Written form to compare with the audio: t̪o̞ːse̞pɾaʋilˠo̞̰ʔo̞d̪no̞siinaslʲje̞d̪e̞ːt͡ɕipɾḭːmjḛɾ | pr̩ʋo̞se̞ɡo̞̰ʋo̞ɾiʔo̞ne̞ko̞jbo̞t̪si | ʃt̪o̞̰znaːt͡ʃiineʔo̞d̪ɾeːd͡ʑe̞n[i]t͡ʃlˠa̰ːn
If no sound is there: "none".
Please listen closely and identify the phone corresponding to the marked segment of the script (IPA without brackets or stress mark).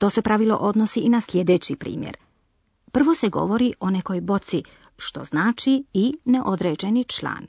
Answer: i